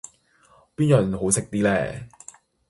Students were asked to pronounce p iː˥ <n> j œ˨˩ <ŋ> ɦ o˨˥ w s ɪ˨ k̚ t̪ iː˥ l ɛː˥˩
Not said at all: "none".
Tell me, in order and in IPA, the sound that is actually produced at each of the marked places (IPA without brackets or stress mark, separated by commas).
n, n